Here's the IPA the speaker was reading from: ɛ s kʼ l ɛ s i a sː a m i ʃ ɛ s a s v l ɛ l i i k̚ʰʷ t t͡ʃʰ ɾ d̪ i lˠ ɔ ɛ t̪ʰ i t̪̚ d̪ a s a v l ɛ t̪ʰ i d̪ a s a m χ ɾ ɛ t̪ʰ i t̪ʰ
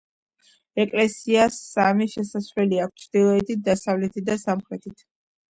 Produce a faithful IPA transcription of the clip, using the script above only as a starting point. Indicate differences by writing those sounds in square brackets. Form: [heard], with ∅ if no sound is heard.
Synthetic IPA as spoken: ɛ [∅] kʼ l ɛ s i a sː a m i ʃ ɛ s a s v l ɛ l i [a] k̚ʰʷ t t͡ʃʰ ɾ d̪ i lˠ ɔ ɛ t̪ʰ i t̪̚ d̪ a s a v l ɛ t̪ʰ i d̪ a s a m χ ɾ ɛ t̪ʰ i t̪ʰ